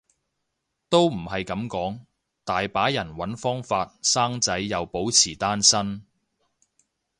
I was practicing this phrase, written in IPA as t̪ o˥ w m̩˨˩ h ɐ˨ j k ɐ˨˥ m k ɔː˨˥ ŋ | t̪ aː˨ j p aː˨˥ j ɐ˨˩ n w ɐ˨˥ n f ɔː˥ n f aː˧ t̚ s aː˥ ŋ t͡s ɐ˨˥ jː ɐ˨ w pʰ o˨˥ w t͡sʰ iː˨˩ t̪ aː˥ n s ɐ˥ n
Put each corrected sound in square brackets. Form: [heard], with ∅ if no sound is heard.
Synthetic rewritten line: t̪ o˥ w m̩˨˩ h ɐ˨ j k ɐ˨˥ m k ɔː˨˥ ŋ | t̪ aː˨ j p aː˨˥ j ɐ˨˩ n w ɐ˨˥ n f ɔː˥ [ŋ] f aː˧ t̚ s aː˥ ŋ t͡s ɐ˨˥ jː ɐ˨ w [p] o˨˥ w t͡sʰ iː˨˩ t̪ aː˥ n s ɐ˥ n

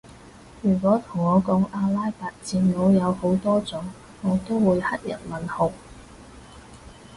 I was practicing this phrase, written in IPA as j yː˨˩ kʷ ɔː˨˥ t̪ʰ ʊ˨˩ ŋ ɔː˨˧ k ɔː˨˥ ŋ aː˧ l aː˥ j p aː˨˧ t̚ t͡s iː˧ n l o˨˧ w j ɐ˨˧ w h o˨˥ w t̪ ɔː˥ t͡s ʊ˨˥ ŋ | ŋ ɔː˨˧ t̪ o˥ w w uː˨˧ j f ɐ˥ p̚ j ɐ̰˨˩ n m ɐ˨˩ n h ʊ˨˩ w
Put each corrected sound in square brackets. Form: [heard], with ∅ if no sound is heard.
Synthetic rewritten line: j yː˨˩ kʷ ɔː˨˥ t̪ʰ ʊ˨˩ ŋ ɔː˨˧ k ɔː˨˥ ŋ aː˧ l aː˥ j p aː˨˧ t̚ t͡s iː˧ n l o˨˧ w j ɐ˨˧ w h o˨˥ w t̪ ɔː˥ t͡s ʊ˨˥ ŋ | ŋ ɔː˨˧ t̪ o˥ w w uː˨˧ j [h] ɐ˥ [t̚] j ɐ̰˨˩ n m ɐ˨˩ n h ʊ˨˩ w

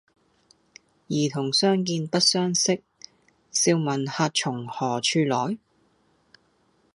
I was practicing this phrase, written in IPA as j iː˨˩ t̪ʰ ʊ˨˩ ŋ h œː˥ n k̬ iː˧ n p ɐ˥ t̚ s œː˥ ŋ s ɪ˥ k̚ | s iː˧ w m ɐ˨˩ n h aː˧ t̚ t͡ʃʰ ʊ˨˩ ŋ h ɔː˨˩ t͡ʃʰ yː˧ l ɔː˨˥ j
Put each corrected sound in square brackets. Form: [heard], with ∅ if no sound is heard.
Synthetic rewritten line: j iː˨˩ t̪ʰ ʊ˨˩ ŋ [s] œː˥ [ŋ] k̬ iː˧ n p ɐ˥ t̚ s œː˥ ŋ s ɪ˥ k̚ | s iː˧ w m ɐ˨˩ n h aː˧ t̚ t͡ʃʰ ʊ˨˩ ŋ h ɔː˨˩ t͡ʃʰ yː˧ l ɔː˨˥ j

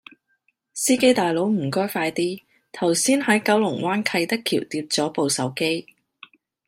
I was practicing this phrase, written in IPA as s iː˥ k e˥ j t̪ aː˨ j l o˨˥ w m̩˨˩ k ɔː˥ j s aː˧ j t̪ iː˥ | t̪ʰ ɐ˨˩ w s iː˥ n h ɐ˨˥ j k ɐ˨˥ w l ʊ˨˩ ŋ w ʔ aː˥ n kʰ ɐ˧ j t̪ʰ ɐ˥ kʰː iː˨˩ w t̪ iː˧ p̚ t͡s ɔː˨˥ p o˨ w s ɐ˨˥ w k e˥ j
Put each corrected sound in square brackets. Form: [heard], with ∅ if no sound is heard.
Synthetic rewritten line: s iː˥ k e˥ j t̪ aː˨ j l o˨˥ w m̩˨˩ k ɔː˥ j [f] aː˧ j t̪ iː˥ | t̪ʰ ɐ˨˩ w s iː˥ n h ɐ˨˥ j k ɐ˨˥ w l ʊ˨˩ ŋ w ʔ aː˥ n kʰ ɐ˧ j [t̪] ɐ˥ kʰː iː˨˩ w t̪ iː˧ p̚ t͡s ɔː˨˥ p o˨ w s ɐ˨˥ w k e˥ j

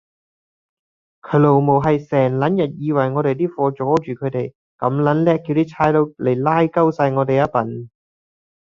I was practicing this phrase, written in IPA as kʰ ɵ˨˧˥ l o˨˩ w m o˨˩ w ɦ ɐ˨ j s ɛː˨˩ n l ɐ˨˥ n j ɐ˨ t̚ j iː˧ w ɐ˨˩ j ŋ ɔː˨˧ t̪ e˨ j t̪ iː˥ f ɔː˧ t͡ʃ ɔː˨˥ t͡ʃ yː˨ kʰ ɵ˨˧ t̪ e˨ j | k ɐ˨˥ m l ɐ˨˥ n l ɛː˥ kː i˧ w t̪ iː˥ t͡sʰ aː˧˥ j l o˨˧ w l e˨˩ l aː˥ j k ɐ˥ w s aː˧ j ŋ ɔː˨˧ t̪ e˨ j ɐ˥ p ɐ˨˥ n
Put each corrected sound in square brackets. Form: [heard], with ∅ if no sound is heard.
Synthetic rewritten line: kʰ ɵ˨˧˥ l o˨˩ w m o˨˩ w ɦ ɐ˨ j s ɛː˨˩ [ŋ] l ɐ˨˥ n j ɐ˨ t̚ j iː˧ w ɐ˨˩ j ŋ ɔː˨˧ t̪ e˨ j t̪ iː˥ f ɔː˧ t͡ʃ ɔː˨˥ t͡ʃ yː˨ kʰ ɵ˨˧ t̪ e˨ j | k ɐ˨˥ m l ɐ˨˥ n l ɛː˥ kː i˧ w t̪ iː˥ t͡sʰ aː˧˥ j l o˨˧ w l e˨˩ l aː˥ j k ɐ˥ w s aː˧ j ŋ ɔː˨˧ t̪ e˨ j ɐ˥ p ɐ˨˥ n

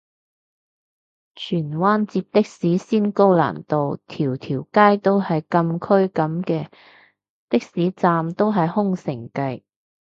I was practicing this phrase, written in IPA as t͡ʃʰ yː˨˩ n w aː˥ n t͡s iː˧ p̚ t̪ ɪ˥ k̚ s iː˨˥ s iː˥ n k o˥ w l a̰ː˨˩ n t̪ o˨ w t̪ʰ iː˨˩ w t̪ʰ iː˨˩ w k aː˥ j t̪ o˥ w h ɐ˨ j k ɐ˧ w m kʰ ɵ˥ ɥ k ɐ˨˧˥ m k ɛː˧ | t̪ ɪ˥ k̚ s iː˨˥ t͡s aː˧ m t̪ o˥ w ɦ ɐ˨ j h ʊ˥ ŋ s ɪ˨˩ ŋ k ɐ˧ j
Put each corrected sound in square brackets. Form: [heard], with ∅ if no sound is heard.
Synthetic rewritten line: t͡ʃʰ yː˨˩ n w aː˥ n t͡s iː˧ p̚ t̪ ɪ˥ k̚ s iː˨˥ s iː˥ n k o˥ w l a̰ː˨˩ n t̪ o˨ w t̪ʰ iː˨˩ w t̪ʰ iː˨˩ w k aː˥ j t̪ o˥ w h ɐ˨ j k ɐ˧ [∅] m kʰ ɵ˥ ɥ k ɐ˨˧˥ m k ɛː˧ | t̪ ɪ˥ k̚ s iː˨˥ t͡s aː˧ m t̪ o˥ w ɦ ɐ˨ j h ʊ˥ ŋ s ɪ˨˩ ŋ k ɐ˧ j

